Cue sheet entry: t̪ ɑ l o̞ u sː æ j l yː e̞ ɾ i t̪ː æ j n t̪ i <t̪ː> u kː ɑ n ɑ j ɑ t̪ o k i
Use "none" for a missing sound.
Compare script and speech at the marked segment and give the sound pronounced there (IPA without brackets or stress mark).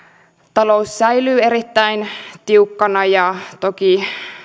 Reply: none